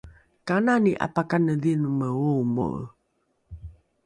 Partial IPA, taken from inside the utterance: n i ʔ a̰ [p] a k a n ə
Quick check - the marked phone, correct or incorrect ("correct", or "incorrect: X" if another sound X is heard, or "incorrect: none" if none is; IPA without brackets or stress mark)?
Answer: correct